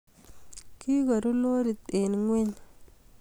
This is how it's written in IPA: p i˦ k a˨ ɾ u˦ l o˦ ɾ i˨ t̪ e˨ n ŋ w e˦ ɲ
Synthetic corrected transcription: k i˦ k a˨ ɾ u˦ l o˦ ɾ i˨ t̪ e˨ n ŋ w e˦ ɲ